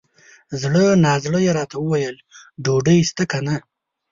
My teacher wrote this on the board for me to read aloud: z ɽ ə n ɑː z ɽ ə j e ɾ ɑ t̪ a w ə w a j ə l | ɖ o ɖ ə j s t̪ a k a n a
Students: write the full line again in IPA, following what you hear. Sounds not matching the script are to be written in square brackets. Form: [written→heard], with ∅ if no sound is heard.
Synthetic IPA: z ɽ ə n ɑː z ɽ ə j e ɾ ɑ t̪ a w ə w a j ə l | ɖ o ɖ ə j s t̪ a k a n a